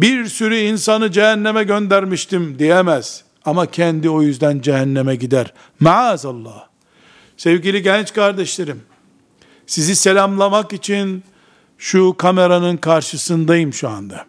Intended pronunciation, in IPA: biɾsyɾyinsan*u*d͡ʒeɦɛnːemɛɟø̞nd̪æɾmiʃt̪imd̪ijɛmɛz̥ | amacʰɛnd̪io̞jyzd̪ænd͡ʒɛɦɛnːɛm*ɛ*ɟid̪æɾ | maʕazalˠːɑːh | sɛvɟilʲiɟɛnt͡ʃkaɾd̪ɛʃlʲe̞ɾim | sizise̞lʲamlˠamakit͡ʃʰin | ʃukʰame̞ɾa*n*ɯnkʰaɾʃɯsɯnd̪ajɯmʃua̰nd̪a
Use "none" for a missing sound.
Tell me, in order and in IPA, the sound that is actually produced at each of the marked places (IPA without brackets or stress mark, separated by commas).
ɯ, ɛ, n